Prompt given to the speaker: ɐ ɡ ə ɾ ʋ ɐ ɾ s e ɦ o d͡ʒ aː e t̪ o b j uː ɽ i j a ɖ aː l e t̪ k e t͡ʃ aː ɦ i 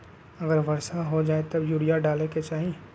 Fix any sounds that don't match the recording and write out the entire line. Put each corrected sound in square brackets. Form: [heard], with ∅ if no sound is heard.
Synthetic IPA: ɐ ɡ ə ɾ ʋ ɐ ɾ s [a] ɦ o d͡ʒ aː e t̪ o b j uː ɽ i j a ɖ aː l e [∅] k e t͡ʃ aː ɦ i